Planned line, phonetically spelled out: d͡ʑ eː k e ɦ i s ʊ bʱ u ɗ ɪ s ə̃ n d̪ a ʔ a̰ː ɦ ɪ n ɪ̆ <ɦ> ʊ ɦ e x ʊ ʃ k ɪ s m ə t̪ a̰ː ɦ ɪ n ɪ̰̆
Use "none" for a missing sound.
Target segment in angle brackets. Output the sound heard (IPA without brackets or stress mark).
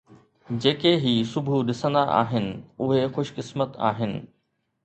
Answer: none